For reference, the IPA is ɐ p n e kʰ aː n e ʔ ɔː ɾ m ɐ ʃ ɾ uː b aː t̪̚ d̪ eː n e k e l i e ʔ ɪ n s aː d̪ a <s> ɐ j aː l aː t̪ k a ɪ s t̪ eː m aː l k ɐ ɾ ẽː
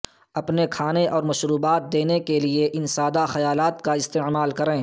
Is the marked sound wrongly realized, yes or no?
yes